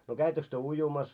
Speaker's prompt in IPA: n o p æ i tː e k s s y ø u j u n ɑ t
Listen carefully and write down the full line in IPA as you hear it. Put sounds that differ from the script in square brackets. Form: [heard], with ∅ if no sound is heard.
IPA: n o [k] æ i tː [ø] k s [t] y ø u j u [m] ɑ [s]